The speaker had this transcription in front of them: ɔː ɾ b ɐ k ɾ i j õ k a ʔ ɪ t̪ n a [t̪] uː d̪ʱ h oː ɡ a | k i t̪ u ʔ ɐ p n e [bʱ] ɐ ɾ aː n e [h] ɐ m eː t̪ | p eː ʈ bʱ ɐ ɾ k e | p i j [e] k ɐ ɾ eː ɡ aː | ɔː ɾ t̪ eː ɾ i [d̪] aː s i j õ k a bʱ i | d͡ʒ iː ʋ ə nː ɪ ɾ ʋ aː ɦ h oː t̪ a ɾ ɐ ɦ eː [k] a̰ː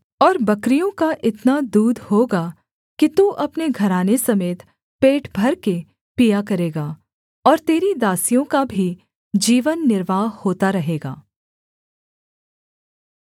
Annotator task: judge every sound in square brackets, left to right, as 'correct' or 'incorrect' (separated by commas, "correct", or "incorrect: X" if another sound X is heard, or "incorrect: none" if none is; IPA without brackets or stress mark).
incorrect: d̪, incorrect: ɡʱ, incorrect: s, incorrect: a, correct, incorrect: ɡ